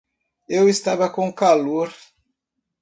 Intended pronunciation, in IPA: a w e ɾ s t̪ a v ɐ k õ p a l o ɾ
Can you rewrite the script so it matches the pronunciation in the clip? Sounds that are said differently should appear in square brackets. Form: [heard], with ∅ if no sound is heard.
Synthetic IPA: [e] w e [∅] s t̪ a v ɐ k õ [k] a l o ɾ